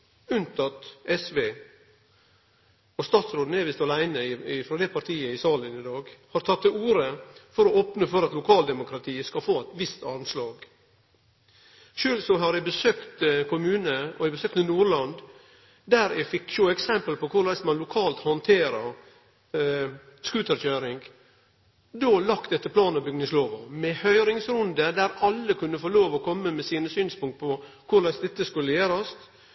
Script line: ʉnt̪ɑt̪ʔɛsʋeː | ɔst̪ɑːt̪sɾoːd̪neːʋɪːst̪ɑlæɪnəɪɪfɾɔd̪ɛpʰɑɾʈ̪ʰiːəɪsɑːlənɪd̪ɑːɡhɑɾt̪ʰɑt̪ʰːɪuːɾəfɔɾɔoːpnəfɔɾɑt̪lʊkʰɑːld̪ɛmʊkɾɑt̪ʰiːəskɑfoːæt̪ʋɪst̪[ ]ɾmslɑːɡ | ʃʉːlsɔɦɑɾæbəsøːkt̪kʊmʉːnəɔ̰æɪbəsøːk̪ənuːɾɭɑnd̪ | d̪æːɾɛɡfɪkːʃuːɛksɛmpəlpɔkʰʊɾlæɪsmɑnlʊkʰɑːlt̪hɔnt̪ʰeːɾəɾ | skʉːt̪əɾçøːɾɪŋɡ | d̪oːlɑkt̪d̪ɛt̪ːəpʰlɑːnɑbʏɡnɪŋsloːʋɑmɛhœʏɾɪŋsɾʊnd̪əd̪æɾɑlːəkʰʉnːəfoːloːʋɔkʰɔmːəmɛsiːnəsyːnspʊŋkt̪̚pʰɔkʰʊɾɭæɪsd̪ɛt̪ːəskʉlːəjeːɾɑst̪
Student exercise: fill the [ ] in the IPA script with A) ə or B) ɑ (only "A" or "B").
B